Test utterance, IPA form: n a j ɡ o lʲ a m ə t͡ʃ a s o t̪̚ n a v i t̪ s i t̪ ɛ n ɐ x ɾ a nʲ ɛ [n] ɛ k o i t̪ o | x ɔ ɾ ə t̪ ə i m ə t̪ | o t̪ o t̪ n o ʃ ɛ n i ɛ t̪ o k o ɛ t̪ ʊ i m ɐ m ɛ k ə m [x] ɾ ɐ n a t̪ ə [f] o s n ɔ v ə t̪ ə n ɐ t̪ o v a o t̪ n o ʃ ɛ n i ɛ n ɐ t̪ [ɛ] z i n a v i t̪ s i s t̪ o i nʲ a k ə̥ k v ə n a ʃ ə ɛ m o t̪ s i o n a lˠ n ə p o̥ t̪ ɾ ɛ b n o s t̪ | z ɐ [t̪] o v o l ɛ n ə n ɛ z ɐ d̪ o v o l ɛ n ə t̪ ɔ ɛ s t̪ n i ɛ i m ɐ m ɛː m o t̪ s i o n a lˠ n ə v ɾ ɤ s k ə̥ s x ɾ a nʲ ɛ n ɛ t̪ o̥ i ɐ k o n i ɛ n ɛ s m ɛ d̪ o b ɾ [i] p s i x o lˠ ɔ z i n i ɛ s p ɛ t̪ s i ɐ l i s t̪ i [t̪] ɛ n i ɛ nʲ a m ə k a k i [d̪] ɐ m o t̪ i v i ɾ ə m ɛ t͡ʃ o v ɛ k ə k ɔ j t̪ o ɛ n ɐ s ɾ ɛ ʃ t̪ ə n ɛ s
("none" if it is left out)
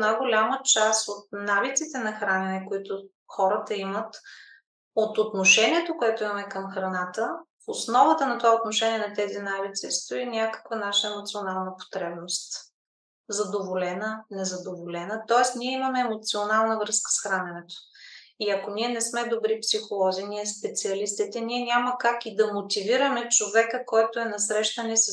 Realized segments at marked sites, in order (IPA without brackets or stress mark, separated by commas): n, x, f, ɛ, d̪, i, t̪, d̪